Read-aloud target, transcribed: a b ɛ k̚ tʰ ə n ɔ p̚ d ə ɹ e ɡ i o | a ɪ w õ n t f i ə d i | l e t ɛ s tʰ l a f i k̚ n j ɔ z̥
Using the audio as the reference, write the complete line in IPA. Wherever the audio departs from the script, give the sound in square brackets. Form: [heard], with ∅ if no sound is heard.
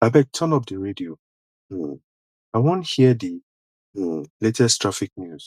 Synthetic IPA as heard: a b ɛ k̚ tʰ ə n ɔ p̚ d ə ɹ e [d] i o | a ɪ w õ n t [h] i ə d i | l e t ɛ s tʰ [ɹ] a f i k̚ n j [u] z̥